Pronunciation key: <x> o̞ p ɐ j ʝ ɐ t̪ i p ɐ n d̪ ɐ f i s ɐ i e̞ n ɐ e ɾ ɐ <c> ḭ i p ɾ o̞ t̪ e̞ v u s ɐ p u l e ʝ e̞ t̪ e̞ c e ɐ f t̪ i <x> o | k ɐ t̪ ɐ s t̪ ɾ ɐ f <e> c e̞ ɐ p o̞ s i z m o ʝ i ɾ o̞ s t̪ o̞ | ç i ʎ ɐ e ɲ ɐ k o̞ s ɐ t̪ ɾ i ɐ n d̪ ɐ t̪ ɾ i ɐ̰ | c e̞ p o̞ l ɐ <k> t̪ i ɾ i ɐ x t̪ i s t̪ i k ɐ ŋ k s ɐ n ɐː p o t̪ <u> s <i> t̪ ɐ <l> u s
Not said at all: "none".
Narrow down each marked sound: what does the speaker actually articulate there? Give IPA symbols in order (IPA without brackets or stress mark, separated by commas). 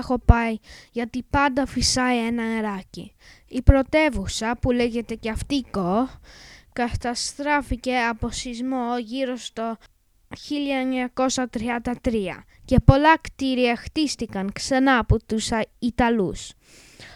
x, c, k, i, k, u, i, l